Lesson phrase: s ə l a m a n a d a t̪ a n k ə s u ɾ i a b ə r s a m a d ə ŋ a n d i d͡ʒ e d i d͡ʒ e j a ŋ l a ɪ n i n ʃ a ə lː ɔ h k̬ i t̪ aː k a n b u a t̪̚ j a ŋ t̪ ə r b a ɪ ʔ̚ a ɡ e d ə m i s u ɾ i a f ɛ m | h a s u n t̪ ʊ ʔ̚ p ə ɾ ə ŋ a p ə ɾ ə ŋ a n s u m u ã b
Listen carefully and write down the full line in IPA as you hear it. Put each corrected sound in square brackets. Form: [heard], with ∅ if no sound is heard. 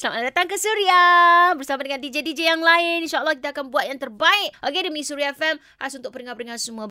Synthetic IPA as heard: s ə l a m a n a d a t̪ a [ŋ] k ə s u ɾ i a b ə r s a m a d ə ŋ a n d i d͡ʒ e d i d͡ʒ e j a ŋ l a ɪ n i n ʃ a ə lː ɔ h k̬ i t̪ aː k a n b u a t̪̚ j a ŋ t̪ ə r b a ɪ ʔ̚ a ɡ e d ə m i s u ɾ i a f ɛ m | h a s u n t̪ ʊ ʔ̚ p ə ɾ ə ŋ a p ə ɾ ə ŋ a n s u m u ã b